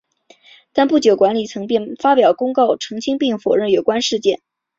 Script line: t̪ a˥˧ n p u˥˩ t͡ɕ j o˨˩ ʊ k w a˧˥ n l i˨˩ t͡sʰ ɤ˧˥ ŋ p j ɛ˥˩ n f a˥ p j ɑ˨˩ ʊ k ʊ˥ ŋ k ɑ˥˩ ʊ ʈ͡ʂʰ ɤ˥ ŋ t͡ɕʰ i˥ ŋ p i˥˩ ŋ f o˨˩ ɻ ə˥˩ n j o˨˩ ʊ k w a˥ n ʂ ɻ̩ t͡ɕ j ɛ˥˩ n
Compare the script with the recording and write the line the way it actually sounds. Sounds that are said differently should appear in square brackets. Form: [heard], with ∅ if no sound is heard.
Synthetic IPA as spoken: t̪ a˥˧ n p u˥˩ t͡ɕ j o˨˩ ʊ k w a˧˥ n l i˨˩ t͡sʰ ɤ˧˥ ŋ p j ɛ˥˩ n f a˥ p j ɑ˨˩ ʊ k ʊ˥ ŋ k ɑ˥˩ ʊ ʈ͡ʂʰ [ɤ˧˥] ŋ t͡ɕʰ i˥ ŋ p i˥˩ ŋ f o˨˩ ɻ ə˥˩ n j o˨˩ ʊ k w a˥ n ʂ ɻ̩ t͡ɕ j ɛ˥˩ n